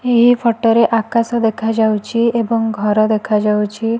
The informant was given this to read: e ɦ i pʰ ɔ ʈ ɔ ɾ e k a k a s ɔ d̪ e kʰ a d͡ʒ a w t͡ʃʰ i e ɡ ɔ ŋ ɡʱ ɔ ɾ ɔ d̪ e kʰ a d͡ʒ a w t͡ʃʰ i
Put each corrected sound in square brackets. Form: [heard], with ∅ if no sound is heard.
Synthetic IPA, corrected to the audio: e ɦ i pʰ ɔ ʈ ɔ ɾ e [ʔ] a k a s ɔ d̪ e kʰ a d͡ʒ a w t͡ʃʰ i e [b] ɔ ŋ ɡʱ ɔ ɾ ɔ d̪ e kʰ a d͡ʒ a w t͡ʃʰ i